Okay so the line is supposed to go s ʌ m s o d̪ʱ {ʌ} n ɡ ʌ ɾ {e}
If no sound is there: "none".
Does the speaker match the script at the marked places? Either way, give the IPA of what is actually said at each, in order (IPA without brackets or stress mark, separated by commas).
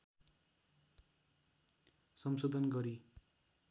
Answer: ʌ, i